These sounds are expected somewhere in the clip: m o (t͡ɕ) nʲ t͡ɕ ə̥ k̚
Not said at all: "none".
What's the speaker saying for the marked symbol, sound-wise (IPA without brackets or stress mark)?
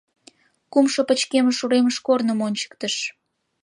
none